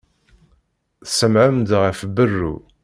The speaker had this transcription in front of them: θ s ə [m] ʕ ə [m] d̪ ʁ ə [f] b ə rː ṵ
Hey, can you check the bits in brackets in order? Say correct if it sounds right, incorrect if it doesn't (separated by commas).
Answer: correct, correct, correct